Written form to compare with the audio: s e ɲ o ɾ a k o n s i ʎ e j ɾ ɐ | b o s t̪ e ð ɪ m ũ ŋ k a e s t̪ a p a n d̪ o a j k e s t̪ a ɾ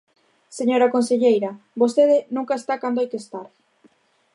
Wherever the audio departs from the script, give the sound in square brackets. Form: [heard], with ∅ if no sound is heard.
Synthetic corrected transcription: s e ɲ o ɾ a k o n s [e] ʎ e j ɾ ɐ | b o s t̪ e ð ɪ [n] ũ ŋ k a e s t̪ a [k] a n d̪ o a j k e s t̪ a ɾ